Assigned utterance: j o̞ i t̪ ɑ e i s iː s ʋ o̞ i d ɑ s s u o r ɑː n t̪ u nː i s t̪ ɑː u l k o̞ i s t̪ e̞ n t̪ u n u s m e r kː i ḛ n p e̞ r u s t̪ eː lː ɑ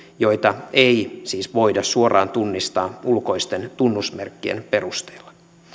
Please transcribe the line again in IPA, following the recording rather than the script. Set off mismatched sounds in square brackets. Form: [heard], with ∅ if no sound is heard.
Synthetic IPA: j o̞ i t̪ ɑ e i s iː s ʋ o̞ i d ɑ s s u o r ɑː n t̪ u nː i s t̪ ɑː u l k o̞ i s t̪ e̞ n t̪ u [nː] u s m e r kː i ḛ n p e̞ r u s t̪ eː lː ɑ